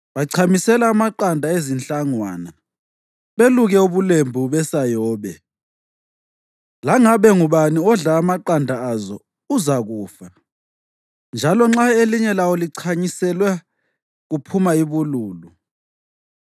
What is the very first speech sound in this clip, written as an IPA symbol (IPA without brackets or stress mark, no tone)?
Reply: β